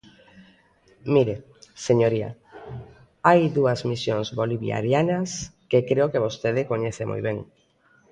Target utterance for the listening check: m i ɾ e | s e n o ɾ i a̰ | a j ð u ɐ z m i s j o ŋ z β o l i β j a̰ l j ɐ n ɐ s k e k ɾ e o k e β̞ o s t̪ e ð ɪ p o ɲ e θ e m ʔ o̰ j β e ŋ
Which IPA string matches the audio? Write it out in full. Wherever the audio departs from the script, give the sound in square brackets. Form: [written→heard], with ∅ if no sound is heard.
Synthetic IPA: m i ɾ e | s e [n→ɲ] o ɾ i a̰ | a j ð u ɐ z m i s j o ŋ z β o l i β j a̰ [l→ɾ] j [ɐ→a] n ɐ s k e k ɾ e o k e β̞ o s t̪ e ð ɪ [p→k] o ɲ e θ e m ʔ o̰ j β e ŋ